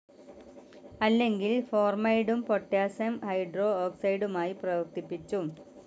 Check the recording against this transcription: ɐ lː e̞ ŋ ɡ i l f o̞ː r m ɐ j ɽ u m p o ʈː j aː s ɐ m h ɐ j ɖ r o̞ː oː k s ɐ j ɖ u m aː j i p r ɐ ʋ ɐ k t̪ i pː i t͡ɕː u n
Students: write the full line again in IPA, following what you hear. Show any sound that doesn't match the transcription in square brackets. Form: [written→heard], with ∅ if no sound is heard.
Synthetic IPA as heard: ɐ lː e̞ ŋ ɡ i l f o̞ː r m ɐ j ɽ u m p o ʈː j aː s ɐ m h ɐ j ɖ r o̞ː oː k s ɐ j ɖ u m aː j i p r ɐ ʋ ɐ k t̪ i pː i t͡ɕː u [n→m]